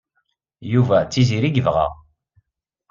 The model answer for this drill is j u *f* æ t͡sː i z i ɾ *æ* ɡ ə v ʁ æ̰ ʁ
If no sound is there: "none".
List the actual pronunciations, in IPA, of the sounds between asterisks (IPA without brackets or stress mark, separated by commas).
v, i